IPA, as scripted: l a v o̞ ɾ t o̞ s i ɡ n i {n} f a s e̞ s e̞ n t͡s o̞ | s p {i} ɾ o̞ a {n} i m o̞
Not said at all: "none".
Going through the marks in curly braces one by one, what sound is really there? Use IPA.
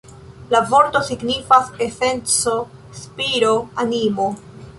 none, i, n

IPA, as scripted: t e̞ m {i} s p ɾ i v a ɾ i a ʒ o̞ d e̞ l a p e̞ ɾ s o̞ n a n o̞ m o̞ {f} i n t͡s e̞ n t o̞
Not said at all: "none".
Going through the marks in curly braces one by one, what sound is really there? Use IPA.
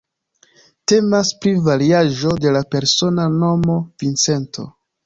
a, v

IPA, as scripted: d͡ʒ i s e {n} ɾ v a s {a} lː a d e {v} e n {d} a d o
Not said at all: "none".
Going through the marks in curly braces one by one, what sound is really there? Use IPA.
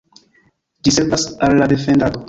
none, a, f, d

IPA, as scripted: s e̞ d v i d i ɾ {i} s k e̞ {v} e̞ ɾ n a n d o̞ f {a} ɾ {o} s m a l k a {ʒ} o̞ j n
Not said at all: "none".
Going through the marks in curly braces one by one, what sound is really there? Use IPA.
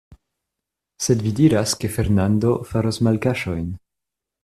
a, f, a, o, ʃ

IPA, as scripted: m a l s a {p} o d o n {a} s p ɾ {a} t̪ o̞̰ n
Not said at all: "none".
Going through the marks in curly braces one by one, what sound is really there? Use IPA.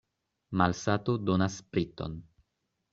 t, a, i

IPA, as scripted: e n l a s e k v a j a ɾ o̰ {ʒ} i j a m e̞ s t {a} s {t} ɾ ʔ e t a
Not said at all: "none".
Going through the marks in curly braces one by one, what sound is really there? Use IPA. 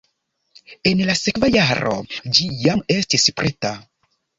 d͡ʒ, i, p

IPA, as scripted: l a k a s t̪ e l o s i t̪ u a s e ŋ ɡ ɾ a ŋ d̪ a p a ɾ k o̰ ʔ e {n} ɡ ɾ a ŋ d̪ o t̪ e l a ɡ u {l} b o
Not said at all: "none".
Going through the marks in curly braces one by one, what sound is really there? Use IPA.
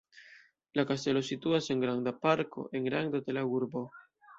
ŋ, ɾ

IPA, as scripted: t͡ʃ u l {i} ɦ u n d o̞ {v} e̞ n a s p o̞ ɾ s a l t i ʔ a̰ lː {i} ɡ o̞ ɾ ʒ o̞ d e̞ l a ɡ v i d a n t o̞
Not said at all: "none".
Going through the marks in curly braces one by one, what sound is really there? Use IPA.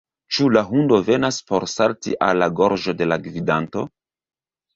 a, v, a

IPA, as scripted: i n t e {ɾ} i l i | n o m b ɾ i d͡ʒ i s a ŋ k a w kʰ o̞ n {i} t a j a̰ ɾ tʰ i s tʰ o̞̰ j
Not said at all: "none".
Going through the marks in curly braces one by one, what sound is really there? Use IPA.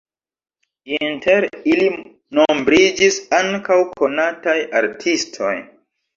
ɾ, a

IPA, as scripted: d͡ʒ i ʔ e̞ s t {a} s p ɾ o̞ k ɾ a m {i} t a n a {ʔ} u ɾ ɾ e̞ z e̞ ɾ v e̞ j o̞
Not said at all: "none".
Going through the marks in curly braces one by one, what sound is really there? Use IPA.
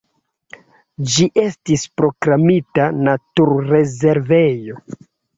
i, i, t

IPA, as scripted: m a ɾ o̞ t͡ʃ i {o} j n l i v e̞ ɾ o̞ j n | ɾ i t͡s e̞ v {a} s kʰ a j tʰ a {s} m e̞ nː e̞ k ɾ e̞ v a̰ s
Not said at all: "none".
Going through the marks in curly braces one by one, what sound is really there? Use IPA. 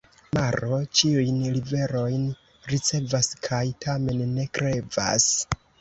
u, a, none

